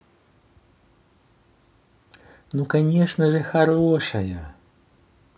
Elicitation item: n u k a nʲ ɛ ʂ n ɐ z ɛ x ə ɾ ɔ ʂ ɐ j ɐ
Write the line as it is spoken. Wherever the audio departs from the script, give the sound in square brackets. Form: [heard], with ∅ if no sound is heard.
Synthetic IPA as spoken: n u k a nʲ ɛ ʂ n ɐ [ʐ] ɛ x [a] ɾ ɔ ʂ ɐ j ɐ